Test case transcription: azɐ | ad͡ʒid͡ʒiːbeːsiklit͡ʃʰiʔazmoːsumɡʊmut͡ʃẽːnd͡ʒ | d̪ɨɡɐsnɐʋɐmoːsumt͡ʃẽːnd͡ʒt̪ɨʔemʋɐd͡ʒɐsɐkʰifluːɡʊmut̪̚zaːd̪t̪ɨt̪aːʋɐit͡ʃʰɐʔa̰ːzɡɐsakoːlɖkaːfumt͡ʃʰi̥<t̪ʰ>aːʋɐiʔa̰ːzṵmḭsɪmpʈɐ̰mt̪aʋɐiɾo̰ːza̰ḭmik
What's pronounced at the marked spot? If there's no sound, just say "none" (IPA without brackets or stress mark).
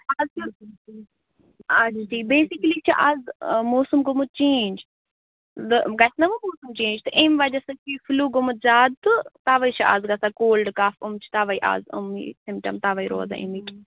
t̪